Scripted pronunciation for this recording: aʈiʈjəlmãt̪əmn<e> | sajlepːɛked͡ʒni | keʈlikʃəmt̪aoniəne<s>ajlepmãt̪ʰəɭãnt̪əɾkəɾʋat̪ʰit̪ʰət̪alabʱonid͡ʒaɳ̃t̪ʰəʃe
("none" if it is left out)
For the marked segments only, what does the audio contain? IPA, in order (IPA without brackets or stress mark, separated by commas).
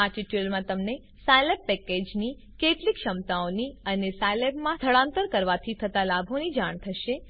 e, s